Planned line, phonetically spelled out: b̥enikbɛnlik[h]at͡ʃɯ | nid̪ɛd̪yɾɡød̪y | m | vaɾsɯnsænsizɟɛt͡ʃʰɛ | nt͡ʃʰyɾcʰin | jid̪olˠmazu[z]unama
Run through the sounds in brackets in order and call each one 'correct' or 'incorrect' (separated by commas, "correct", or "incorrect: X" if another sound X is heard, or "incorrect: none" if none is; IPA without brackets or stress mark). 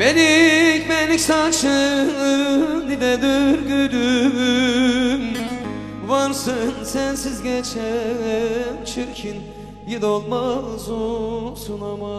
incorrect: s, incorrect: s